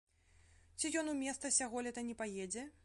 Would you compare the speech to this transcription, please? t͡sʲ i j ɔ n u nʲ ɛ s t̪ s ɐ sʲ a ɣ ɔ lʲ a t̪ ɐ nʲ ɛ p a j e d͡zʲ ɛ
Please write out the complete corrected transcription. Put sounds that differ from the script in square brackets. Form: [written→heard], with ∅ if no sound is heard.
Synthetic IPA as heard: t͡sʲ i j ɔ n u [nʲ→mʲ] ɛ s t̪ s ɐ sʲ a ɣ ɔ lʲ [a→ɛ] t̪ ɐ nʲ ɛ p a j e d͡zʲ ɛ

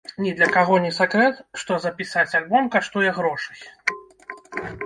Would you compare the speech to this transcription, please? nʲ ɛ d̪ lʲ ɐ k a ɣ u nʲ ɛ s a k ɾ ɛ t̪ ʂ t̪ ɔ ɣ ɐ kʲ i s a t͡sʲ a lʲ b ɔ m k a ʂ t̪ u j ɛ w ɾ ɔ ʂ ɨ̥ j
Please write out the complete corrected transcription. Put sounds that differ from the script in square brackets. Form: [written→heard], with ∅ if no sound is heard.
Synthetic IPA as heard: nʲ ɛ d̪ lʲ ɐ k a ɣ [u→ɔ] nʲ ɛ s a k ɾ ɛ t̪ ʂ t̪ ɔ [ɣ→z] ɐ [kʲ→pʲ] i s a t͡sʲ a lʲ b ɔ m k a ʂ t̪ u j ɛ [w→ɣ] ɾ ɔ ʂ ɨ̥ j

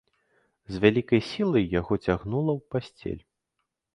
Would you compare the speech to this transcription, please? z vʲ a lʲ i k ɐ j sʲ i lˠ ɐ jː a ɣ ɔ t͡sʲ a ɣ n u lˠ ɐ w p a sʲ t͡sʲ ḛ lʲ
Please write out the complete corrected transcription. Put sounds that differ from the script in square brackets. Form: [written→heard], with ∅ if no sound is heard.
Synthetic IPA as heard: z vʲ a lʲ i k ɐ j sʲ i lˠ ɐ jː a ɣ ɔ t͡sʲ a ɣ n u lˠ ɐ w p a sʲ t͡sʲ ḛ lʲ

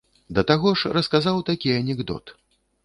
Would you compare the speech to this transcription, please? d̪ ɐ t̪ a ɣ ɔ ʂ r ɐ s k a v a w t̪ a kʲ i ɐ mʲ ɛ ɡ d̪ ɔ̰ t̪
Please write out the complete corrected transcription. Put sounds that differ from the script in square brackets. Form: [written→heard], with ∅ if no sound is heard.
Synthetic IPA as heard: d̪ ɐ t̪ a ɣ ɔ ʂ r ɐ s k a [v→z] a w t̪ a kʲ i ɐ [mʲ→nʲ] ɛ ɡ d̪ ɔ̰ t̪

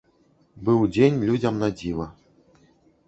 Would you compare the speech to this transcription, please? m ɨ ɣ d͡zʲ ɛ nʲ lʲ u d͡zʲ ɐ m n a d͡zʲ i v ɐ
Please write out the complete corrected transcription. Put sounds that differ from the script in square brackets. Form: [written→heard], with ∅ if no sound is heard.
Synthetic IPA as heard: [m→b] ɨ [ɣ→w] d͡zʲ [ɛ→e] nʲ lʲ u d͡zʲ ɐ m n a d͡zʲ i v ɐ

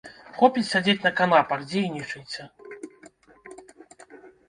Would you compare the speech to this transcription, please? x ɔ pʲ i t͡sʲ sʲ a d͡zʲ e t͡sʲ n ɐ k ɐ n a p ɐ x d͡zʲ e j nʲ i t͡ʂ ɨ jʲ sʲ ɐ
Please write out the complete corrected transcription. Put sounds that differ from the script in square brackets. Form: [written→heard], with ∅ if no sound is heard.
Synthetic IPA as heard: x ɔ pʲ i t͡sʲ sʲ a d͡zʲ e t͡sʲ n ɐ k [ɐ→a] n a p ɐ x d͡zʲ e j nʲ i t͡ʂ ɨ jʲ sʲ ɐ

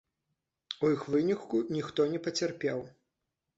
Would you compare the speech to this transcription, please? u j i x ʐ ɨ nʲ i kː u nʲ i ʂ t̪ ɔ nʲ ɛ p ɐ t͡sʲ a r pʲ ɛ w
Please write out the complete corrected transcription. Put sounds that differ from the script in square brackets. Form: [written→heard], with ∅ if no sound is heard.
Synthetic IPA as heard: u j i x [ʐ→v] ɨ nʲ i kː u nʲ i [ʂ→x] t̪ ɔ nʲ ɛ p ɐ t͡sʲ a r pʲ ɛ w

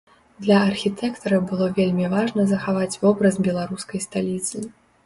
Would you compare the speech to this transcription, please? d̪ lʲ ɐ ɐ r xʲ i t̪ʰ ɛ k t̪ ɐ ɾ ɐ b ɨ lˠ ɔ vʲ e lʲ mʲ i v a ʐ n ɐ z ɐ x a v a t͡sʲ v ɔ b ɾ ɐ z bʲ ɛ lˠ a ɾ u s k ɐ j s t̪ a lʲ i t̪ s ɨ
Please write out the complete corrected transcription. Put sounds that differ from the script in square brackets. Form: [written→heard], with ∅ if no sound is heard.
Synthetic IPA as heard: d̪ lʲ ɐ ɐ r xʲ i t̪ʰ ɛ k t̪ ɐ ɾ ɐ b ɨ lˠ ɔ vʲ e lʲ mʲ i v a ʐ n ɐ z ɐ x a v a t͡sʲ v ɔ b ɾ ɐ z bʲ ɛ lˠ a ɾ u s k ɐ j s t̪ a lʲ i t̪ s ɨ

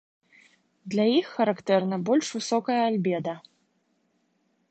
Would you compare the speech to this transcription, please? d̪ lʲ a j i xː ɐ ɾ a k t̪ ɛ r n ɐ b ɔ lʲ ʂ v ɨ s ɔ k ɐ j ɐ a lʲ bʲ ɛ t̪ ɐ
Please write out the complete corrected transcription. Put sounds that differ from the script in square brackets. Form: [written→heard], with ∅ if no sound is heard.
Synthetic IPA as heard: d̪ lʲ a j i xː ɐ ɾ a k t̪ ɛ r n ɐ b ɔ lʲ ʂ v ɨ s ɔ k ɐ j ɐ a lʲ bʲ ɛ [t̪→d̪] ɐ

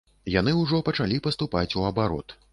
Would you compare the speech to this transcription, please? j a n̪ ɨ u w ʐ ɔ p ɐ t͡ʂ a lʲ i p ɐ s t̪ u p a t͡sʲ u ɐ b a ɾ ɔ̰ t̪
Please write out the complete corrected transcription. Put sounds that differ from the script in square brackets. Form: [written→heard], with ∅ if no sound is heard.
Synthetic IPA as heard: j a n̪ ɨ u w ʐ ɔ p ɐ t͡ʂ a lʲ i p ɐ s t̪ u p a t͡sʲ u ɐ b a ɾ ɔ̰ t̪

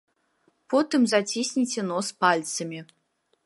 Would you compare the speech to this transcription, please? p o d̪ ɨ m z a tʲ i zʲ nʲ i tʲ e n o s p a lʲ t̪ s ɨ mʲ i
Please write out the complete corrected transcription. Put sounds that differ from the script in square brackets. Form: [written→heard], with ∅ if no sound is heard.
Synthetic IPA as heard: p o [d̪→t̪] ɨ m z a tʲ i [zʲ→sʲ] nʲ i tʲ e n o s p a lʲ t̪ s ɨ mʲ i

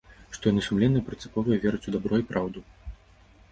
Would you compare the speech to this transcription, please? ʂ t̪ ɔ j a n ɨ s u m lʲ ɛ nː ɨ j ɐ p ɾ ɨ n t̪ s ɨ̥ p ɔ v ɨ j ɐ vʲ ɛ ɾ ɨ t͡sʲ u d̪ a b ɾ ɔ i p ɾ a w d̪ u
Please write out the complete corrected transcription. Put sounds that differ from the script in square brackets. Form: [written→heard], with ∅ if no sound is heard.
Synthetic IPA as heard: ʂ t̪ ɔ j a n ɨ s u m lʲ ɛ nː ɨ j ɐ p ɾ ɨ n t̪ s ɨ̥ p ɔ v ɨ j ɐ vʲ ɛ ɾ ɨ t͡sʲ u d̪ a b ɾ ɔ i p ɾ a w d̪ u

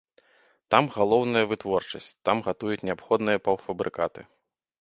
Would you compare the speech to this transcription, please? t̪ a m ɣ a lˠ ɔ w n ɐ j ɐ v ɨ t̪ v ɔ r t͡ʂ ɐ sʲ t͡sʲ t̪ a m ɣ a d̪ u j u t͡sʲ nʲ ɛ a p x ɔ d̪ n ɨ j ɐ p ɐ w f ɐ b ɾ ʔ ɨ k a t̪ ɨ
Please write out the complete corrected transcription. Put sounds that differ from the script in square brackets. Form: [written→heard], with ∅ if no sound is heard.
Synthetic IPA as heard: t̪ a m ɣ a lˠ ɔ w n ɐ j ɐ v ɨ t̪ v ɔ r t͡ʂ ɐ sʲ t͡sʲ t̪ a m ɣ a [d̪→t̪] u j u t͡sʲ nʲ ɛ a p x ɔ d̪ n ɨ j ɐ p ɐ w f ɐ b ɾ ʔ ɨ k a t̪ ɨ

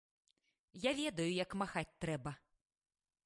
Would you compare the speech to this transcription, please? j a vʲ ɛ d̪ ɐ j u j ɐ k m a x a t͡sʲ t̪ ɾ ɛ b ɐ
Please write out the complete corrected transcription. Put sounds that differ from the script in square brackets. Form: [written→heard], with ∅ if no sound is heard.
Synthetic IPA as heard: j a vʲ ɛ d̪ ɐ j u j ɐ k m a x a t͡sʲ t̪ ɾ ɛ b ɐ

